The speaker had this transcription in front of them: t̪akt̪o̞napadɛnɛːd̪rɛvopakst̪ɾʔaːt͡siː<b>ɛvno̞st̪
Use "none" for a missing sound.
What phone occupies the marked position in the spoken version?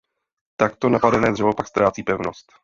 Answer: p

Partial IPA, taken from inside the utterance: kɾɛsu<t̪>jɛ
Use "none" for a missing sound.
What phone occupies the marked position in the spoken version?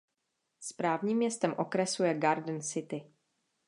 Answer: none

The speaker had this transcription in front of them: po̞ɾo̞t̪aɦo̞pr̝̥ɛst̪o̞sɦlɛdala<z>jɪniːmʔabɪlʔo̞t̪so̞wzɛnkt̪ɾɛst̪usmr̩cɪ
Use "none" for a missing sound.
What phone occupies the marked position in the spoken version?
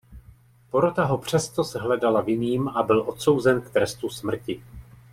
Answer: v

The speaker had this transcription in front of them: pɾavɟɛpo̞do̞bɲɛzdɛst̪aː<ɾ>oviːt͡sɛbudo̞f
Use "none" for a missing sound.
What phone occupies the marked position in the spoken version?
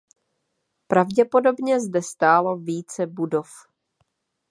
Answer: l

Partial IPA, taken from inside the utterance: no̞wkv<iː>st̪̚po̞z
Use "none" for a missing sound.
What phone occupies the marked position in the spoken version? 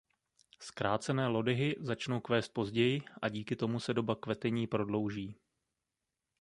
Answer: ɛː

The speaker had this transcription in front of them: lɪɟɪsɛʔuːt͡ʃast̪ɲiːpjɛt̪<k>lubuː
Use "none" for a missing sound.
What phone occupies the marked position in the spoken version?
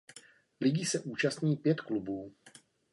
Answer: k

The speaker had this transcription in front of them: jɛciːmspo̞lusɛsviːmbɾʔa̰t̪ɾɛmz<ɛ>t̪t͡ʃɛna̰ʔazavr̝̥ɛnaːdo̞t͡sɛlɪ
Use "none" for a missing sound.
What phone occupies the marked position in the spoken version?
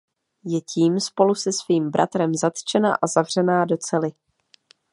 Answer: a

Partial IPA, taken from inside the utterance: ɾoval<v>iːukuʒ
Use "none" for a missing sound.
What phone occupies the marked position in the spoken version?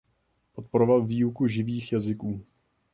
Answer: v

